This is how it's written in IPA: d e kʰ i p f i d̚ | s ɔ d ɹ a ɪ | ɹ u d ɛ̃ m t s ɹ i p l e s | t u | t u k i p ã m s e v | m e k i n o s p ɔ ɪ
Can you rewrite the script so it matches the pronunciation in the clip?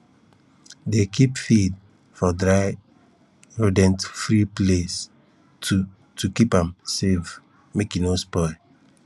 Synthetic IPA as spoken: d e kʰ i p f i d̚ | f ɔ d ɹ a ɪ | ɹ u d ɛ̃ n t f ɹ i p l e s | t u | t u k i p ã m s e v | m e k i n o s p ɔ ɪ